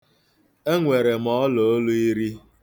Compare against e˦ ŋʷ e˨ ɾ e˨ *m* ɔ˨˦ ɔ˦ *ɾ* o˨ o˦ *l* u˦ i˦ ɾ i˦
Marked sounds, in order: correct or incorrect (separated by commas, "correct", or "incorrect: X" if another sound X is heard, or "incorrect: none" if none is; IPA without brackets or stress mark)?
correct, incorrect: l, correct